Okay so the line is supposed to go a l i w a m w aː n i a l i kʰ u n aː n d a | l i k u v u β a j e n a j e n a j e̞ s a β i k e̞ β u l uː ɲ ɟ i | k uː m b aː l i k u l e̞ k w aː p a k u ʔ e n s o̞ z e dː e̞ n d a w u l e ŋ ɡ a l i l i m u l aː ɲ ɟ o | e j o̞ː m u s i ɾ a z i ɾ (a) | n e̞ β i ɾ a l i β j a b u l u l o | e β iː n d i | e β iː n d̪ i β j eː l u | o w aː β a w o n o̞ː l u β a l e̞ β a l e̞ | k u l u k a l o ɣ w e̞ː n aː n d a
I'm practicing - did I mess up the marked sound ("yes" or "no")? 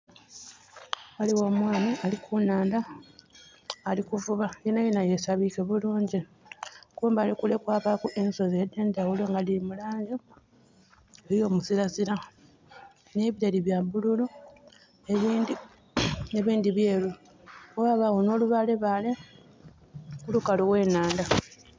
no